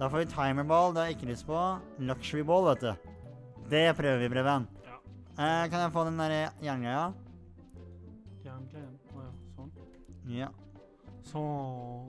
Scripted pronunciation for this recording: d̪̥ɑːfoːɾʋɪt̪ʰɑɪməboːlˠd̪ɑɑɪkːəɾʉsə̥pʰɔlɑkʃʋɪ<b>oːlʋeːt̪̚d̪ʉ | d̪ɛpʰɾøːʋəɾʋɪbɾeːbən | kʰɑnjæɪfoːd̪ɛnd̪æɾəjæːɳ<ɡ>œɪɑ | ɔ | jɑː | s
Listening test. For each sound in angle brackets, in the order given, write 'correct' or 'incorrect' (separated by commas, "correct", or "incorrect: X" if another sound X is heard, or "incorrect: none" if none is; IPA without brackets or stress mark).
correct, correct